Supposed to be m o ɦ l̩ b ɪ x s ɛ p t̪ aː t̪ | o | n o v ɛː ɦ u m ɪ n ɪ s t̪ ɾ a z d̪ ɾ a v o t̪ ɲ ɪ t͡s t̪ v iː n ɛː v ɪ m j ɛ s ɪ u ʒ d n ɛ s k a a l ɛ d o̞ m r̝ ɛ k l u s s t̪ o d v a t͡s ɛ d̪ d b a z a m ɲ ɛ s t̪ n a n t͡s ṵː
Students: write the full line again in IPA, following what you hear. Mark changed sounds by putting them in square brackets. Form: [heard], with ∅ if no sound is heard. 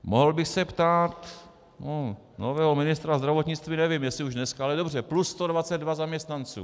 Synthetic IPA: m o ɦ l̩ b ɪ x s ɛ p t̪ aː t̪ | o | n o v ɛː ɦ [o] m ɪ n ɪ s t̪ ɾ a z d̪ ɾ a v o t̪ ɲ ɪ t͡s t̪ v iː n [ɛ] v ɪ m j ɛ s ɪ u ʒ d n ɛ s k a a l ɛ d o̞ [b] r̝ ɛ [p] l u s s t̪ o d v a t͡s ɛ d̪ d [v] a z a m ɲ ɛ s t̪ n a n t͡s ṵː